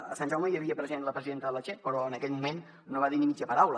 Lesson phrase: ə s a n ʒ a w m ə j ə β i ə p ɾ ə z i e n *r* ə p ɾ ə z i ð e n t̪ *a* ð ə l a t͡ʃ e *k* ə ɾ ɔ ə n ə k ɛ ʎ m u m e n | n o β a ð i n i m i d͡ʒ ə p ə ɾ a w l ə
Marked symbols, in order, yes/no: no, no, no

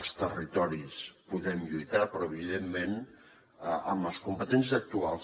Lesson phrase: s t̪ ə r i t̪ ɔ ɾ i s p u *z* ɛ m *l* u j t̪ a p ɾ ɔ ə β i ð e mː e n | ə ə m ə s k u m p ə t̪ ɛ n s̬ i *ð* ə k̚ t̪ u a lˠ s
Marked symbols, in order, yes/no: no, no, no

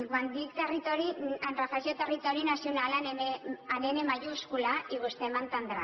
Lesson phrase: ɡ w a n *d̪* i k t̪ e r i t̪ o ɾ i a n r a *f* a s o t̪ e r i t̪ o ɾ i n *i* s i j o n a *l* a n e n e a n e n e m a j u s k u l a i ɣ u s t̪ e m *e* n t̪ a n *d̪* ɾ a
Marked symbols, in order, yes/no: yes, yes, no, yes, no, yes

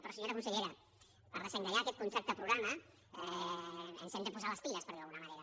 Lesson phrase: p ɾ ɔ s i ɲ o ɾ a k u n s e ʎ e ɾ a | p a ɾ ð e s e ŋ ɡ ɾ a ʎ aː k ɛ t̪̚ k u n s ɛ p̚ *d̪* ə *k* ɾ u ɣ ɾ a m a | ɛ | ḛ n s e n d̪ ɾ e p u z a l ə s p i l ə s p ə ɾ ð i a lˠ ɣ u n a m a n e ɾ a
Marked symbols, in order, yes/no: no, no

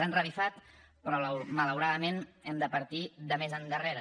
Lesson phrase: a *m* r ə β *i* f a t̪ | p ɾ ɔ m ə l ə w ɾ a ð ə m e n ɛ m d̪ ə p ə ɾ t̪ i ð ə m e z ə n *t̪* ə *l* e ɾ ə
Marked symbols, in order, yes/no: no, yes, no, no

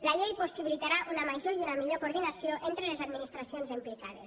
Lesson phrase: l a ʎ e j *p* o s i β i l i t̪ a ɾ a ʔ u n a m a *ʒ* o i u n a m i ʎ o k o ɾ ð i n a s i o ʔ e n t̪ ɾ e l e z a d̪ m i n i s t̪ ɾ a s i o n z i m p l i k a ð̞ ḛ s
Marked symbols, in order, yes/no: yes, yes

